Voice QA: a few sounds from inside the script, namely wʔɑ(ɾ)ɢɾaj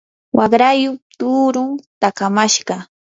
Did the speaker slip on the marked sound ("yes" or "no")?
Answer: yes